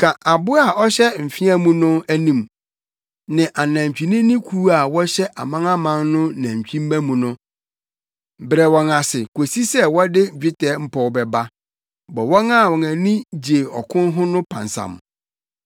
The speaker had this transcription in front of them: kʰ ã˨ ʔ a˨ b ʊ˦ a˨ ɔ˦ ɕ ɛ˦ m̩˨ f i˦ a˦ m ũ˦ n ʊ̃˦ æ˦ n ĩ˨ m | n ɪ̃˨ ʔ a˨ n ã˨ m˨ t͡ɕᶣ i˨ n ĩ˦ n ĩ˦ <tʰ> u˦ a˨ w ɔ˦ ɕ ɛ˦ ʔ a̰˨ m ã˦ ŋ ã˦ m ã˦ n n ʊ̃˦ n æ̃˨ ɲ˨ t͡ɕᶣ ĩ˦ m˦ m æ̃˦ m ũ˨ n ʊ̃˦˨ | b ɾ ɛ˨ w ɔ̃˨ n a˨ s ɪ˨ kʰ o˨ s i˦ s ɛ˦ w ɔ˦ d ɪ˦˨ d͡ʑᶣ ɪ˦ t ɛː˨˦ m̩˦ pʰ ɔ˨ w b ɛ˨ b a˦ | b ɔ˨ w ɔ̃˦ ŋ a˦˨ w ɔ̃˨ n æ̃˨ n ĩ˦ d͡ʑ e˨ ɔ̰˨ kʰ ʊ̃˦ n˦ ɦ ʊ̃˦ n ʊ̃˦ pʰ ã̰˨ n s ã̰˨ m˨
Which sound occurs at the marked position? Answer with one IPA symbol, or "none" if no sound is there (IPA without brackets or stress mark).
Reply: kʰ